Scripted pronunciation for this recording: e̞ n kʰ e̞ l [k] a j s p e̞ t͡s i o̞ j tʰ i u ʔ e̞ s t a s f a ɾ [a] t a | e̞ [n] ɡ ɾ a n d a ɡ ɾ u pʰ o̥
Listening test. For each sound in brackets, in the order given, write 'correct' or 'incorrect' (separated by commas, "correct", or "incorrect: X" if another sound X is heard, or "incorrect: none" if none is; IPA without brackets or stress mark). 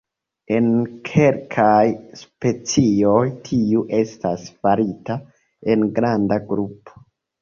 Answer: incorrect: kʰ, incorrect: i, correct